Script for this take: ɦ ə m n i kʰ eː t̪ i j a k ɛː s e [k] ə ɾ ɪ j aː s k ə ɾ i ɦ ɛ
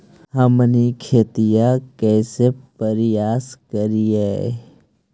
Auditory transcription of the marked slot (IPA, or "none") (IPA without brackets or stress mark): p